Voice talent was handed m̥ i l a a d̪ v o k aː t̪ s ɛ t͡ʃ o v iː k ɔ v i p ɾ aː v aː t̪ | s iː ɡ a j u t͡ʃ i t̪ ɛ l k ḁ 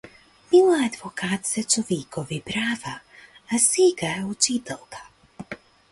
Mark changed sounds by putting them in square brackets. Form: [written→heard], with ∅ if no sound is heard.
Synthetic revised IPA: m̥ i l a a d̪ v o k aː t̪ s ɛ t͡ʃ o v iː k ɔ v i p ɾ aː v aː [t̪→∅] | s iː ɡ a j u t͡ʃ i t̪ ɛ l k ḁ